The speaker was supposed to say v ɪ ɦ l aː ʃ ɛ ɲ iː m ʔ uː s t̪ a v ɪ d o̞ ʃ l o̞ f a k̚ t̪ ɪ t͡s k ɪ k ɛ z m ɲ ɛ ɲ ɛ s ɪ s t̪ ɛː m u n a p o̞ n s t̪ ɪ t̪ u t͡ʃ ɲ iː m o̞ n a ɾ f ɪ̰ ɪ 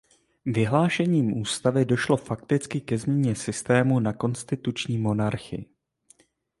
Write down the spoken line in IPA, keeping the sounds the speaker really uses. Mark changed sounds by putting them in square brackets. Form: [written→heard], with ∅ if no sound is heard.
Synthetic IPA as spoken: v ɪ ɦ l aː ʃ ɛ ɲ iː m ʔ uː s t̪ a v ɪ d o̞ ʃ l o̞ f a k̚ t̪ ɪ t͡s k ɪ k ɛ z m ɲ ɛ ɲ ɛ s ɪ s t̪ ɛː m u n a [p→k] o̞ n s t̪ ɪ t̪ u t͡ʃ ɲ iː m o̞ n a ɾ [f→x] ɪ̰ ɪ